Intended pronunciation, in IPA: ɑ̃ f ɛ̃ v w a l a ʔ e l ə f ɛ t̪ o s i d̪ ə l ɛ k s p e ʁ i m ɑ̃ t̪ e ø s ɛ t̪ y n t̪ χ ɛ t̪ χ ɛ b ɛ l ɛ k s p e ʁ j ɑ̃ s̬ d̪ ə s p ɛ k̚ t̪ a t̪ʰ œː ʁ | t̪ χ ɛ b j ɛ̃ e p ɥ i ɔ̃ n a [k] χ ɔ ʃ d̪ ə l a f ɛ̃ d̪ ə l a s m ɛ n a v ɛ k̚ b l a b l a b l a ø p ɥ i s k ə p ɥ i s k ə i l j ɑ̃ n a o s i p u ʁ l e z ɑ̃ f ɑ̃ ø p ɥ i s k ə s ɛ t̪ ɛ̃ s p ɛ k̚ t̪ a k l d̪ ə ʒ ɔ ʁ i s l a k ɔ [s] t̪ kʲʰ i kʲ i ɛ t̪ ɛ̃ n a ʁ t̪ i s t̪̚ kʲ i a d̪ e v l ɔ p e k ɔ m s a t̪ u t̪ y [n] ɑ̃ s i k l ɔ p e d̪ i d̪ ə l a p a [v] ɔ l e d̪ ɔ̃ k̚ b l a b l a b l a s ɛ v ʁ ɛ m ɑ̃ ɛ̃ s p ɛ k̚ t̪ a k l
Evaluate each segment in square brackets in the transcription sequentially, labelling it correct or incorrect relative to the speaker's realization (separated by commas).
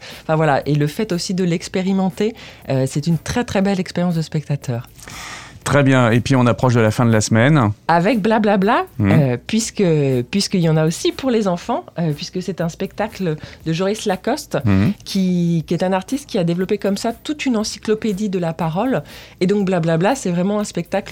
incorrect, correct, correct, incorrect